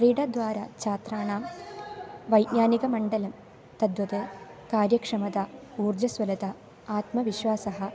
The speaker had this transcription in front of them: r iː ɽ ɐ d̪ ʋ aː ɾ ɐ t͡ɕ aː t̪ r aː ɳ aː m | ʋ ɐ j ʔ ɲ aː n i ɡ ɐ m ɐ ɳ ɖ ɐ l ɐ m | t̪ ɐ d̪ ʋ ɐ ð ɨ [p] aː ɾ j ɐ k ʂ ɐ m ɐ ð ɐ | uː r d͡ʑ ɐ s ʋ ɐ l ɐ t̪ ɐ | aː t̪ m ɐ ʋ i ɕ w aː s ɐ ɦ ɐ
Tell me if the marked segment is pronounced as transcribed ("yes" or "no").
no